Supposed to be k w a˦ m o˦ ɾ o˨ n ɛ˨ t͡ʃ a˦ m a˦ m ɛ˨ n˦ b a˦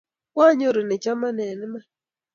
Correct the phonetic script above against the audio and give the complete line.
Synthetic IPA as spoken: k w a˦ ɲ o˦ ɾ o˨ n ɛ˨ t͡ʃ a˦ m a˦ n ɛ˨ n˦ m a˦